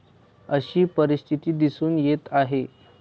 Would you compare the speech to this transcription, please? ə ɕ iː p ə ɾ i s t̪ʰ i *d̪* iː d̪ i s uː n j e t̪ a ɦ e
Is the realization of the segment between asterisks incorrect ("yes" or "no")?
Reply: yes